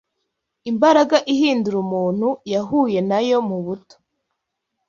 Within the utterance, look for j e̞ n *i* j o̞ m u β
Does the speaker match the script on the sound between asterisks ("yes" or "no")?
no